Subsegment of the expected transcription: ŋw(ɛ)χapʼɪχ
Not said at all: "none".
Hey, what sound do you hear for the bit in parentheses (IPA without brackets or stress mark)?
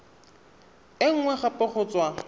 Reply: ɛ